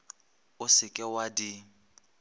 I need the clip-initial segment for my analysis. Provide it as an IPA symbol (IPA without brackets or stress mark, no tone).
ʊ